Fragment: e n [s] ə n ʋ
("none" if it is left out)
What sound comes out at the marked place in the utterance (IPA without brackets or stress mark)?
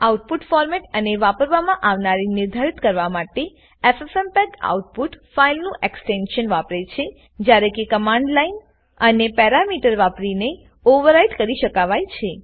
ʃ